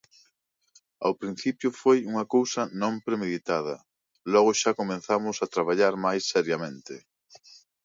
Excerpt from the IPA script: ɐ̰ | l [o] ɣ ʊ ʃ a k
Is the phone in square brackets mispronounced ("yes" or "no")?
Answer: yes